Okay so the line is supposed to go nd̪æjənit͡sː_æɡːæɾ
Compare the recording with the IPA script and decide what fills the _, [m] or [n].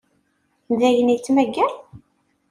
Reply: m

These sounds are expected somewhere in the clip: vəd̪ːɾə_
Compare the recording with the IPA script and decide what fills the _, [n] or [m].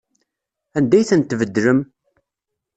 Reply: m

